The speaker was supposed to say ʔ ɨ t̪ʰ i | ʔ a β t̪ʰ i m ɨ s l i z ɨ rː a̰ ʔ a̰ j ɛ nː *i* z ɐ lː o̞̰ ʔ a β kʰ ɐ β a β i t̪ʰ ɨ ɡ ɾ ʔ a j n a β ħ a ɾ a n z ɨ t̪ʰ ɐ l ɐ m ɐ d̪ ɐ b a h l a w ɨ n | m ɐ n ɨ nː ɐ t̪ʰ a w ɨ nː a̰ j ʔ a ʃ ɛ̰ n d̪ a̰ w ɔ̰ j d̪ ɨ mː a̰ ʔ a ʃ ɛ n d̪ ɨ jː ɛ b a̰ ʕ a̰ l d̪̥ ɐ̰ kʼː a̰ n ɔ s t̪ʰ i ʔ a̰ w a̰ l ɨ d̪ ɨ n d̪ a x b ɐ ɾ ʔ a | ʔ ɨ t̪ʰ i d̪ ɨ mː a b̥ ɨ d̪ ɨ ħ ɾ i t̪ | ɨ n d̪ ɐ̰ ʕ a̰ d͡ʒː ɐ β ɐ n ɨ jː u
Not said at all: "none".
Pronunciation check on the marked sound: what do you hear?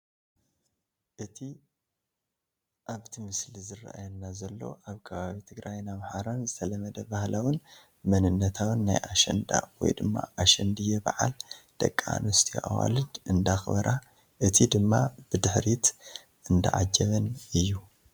a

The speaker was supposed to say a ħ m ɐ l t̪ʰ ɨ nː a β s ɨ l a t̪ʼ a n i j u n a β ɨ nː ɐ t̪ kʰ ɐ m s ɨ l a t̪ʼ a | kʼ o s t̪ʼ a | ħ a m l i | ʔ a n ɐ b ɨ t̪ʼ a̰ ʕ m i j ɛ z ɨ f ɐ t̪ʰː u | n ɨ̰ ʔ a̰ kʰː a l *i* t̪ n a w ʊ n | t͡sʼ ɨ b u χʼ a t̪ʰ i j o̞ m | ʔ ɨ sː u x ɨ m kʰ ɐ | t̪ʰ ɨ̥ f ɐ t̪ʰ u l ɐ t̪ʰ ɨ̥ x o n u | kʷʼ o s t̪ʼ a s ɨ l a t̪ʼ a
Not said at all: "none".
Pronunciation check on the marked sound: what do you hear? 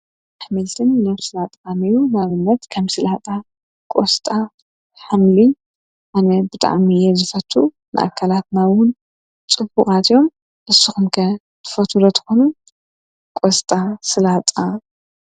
a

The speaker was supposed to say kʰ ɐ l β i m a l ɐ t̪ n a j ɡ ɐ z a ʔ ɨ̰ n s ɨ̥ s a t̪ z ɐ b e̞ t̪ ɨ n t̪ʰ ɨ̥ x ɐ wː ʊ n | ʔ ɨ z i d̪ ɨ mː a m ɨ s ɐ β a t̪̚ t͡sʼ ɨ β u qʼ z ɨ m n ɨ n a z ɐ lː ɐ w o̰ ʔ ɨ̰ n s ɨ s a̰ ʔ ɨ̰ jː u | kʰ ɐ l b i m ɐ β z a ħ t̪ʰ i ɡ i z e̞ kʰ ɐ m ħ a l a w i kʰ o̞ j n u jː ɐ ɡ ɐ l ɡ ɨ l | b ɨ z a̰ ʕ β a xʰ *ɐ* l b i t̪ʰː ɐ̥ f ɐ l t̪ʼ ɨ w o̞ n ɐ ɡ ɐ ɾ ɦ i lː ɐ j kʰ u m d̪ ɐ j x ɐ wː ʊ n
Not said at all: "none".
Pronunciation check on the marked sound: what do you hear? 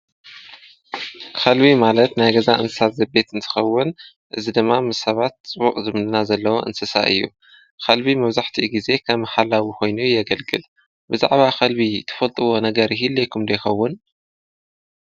ɐ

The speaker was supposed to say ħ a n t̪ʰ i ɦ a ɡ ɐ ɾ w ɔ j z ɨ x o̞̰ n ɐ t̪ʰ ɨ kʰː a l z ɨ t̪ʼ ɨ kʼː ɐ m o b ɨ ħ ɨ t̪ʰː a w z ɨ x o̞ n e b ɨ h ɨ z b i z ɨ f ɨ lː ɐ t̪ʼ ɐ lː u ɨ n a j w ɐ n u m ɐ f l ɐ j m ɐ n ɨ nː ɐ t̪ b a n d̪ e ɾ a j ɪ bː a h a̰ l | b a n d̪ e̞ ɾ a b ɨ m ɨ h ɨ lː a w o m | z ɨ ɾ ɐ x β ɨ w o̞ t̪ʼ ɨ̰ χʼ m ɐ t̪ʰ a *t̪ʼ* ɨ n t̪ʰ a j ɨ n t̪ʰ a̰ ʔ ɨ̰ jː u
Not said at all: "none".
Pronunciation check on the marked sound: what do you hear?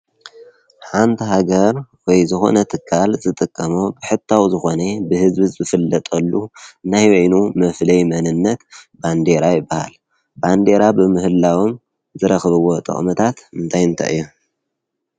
t̪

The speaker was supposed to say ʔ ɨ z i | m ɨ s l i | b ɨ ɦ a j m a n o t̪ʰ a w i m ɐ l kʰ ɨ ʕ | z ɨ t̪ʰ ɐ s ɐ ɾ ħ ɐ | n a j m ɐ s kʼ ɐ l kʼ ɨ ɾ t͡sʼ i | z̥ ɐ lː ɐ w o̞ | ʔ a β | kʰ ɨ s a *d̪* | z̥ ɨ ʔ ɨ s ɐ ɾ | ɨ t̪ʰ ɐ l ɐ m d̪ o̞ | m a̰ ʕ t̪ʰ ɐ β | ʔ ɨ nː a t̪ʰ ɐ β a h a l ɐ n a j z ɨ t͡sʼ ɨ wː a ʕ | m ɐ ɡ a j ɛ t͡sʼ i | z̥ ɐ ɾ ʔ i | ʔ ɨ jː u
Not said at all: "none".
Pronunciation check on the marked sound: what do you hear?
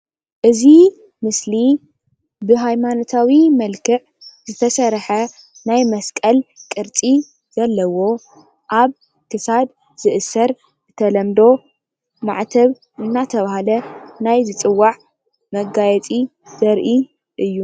d̪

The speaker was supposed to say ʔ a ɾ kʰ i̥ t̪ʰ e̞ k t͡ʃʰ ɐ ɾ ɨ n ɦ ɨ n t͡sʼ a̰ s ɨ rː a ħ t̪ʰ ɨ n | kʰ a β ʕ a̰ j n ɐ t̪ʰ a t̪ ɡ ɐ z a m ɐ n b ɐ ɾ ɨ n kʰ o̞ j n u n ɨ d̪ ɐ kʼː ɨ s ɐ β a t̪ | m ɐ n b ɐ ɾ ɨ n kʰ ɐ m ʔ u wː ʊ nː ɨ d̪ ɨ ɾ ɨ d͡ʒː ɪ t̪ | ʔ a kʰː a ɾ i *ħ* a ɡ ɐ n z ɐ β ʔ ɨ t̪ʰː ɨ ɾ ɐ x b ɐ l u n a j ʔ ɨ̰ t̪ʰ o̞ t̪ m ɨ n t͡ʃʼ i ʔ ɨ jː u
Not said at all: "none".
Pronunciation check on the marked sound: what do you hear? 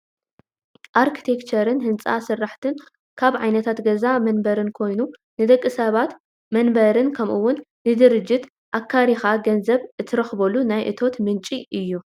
x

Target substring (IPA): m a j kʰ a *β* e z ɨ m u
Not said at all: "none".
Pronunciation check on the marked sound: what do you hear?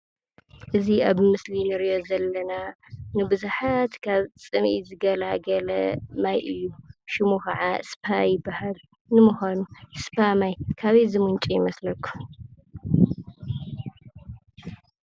β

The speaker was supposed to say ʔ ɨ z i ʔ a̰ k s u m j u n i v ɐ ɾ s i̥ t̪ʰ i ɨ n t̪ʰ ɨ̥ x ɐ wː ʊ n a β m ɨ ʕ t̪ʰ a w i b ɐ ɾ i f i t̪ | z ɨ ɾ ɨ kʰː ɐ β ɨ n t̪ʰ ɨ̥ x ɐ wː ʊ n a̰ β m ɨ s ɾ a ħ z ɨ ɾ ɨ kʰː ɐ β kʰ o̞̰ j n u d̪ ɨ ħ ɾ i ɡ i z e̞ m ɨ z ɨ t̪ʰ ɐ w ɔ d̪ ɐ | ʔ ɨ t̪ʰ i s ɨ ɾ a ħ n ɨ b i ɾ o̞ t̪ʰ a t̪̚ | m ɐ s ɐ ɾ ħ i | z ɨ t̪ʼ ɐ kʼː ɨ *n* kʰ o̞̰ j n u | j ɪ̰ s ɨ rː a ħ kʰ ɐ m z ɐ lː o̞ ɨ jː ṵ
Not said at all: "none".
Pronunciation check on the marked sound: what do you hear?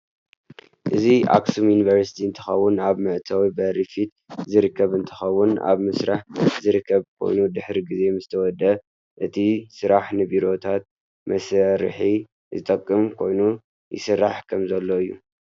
m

